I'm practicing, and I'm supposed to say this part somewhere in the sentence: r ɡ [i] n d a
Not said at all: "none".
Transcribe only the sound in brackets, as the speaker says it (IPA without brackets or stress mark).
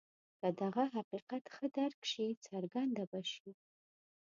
a